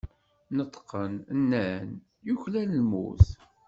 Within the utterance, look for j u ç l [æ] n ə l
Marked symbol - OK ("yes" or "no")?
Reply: yes